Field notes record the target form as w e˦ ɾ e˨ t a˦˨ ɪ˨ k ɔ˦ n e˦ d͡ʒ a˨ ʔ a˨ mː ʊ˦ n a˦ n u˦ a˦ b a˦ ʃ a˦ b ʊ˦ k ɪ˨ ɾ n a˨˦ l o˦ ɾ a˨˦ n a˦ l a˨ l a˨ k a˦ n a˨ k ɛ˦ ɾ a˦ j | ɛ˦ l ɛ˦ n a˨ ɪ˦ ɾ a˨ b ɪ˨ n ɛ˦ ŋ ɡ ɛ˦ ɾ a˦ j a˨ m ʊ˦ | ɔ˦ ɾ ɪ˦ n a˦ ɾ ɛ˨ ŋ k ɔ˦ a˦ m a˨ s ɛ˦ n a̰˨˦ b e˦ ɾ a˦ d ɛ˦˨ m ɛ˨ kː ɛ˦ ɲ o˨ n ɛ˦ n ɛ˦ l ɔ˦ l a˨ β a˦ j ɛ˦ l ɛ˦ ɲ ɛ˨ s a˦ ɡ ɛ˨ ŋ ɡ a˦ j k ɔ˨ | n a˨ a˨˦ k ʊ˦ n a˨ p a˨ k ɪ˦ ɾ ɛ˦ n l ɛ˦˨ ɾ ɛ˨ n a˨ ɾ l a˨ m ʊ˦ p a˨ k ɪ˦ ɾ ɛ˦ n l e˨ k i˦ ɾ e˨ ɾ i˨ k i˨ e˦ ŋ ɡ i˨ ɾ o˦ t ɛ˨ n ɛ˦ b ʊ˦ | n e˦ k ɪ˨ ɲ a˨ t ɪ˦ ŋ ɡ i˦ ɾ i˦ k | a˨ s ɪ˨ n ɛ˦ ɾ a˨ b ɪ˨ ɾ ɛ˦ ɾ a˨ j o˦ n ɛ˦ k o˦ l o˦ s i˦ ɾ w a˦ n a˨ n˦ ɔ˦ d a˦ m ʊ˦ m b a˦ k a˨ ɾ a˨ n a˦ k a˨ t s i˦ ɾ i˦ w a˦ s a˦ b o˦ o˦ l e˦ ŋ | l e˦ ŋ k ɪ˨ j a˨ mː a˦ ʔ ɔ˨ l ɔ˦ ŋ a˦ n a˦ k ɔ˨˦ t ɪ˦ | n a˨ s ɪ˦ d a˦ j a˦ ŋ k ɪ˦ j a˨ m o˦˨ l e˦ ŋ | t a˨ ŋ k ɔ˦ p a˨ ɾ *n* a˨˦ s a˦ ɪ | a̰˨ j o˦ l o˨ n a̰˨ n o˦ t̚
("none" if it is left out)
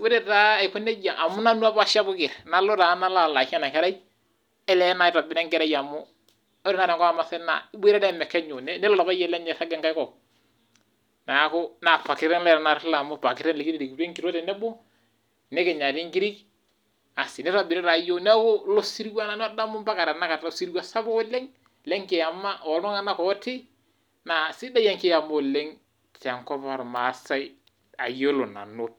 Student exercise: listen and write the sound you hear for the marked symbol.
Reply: m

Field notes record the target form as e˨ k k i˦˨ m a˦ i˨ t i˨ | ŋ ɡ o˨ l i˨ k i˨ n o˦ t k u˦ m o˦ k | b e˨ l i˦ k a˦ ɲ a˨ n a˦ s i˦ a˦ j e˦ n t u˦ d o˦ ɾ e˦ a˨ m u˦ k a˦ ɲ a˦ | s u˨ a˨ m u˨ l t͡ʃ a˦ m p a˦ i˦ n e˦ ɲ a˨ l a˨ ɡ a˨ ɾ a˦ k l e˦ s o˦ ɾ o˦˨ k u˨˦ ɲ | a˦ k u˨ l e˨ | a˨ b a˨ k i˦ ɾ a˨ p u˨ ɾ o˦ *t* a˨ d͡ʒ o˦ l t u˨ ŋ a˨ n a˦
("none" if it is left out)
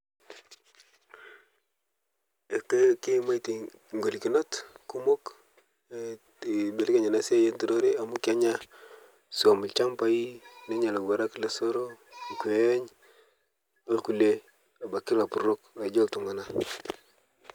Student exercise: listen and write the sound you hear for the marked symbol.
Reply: k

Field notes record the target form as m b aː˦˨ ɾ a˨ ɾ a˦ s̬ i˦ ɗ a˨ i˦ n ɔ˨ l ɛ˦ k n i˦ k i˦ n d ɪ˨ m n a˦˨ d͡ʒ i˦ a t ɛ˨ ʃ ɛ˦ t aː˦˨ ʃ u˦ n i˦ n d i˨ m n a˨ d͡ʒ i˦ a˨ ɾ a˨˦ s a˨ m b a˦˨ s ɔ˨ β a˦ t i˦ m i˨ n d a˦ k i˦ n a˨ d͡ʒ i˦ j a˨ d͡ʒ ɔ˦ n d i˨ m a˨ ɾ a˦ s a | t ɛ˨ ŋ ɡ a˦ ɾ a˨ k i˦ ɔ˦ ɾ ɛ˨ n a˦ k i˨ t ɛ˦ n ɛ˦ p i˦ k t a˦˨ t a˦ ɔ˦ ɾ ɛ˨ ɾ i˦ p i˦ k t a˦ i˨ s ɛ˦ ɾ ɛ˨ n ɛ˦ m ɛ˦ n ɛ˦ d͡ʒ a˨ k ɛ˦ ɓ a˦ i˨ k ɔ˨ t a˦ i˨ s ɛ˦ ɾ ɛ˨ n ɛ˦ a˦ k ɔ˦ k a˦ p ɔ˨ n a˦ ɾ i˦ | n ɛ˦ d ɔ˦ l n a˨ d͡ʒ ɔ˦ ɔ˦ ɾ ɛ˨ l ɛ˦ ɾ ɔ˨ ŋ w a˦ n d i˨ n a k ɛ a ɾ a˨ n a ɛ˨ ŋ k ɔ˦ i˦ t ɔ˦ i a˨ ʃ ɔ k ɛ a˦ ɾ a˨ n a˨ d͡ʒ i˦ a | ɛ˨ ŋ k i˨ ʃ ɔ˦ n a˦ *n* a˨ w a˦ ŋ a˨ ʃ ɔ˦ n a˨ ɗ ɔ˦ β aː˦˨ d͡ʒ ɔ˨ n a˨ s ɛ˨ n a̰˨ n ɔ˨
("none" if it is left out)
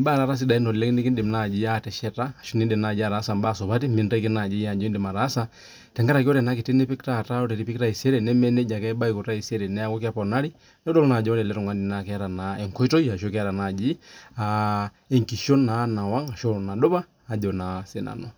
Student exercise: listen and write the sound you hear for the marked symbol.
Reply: n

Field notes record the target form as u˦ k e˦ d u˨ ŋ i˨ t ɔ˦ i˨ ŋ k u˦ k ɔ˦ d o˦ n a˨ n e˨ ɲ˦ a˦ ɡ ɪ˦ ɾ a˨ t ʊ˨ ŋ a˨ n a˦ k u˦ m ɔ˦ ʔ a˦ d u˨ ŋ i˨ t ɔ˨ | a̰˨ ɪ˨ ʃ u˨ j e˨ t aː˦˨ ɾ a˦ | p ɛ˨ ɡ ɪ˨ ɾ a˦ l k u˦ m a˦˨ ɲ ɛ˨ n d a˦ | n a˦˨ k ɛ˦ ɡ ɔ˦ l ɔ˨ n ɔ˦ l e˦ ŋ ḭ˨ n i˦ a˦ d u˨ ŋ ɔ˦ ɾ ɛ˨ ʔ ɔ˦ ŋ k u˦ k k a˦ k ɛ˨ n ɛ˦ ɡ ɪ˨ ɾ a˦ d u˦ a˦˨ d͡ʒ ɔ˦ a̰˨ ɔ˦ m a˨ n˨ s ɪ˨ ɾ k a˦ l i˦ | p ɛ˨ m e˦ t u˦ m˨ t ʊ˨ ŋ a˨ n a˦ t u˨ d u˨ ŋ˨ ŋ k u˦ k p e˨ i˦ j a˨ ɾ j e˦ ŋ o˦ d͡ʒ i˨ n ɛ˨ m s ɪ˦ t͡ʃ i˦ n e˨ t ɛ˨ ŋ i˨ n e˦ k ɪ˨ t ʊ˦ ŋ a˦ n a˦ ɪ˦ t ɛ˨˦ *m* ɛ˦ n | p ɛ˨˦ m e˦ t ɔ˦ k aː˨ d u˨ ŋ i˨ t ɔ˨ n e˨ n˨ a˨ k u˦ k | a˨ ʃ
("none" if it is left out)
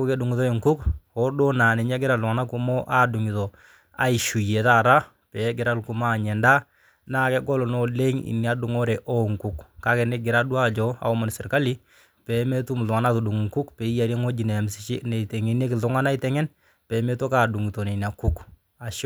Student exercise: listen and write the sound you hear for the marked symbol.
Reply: ŋ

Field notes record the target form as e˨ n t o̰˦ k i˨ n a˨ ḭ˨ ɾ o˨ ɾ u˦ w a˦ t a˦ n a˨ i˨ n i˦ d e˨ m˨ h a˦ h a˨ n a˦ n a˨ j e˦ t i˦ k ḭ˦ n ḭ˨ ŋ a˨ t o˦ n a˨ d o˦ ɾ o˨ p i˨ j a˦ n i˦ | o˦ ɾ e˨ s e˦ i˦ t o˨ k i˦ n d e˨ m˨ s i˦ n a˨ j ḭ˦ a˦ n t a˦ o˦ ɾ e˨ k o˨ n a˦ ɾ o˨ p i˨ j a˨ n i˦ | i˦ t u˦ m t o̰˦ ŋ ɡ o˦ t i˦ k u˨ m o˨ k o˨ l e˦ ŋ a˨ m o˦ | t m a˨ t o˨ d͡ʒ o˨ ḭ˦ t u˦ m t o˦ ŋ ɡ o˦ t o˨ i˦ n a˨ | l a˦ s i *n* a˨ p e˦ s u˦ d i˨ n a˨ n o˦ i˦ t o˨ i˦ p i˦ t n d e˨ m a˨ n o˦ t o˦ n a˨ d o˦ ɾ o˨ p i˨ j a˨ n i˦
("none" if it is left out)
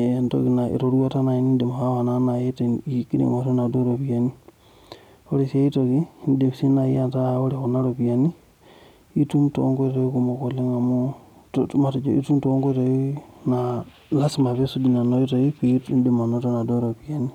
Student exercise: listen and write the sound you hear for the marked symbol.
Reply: m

